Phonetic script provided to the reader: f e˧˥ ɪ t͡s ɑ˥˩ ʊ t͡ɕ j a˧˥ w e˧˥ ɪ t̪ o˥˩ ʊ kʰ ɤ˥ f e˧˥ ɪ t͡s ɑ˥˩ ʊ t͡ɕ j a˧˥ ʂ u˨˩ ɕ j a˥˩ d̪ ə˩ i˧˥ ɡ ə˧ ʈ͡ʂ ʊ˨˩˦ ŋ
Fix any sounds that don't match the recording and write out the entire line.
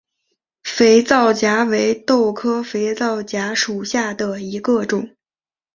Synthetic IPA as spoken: f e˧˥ ɪ t͡s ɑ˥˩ ʊ t͡ɕ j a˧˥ w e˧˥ ɪ t̪ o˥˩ ʊ kʰ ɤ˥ f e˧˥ ɪ t͡s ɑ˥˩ ʊ t͡ɕ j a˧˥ ʂ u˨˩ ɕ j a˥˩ d̪ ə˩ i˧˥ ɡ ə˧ ʈ͡ʂ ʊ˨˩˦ ŋ